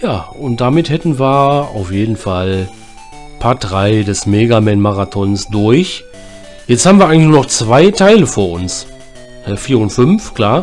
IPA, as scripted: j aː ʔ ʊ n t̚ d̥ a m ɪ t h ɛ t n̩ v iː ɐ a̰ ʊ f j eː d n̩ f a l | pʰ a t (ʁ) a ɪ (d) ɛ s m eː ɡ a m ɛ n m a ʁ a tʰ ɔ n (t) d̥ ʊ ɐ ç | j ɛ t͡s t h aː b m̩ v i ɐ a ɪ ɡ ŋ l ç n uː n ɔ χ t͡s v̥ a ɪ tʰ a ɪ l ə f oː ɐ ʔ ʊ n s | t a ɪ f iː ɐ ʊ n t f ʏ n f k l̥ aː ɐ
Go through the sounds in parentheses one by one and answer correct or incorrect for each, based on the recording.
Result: correct, correct, incorrect: s

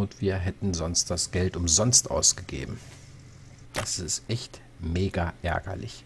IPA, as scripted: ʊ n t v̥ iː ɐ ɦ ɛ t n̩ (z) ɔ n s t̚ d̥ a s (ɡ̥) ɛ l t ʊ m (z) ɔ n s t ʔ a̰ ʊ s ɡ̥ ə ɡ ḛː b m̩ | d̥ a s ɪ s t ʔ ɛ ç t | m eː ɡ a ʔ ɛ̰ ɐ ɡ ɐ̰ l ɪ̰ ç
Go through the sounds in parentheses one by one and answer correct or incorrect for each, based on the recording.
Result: correct, correct, correct

